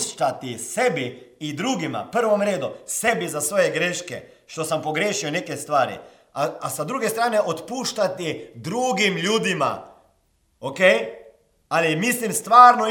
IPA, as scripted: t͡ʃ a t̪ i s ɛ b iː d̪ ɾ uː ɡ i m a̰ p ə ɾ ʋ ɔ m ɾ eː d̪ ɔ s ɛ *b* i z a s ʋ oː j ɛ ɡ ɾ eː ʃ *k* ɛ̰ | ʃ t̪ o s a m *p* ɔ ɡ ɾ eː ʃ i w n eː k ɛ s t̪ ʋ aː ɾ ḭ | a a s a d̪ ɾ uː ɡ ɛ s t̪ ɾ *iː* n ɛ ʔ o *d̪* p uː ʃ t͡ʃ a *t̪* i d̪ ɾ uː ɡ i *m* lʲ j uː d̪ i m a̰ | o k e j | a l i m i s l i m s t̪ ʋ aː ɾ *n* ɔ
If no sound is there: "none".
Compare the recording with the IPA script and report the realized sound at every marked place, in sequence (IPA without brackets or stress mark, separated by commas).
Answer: b, k, p, aː, t̪, t̪, m, n